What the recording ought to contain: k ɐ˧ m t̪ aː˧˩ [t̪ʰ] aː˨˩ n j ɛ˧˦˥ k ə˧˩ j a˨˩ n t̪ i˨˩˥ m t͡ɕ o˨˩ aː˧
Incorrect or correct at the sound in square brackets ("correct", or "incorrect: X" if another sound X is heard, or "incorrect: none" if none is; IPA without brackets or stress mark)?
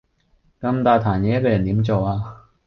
correct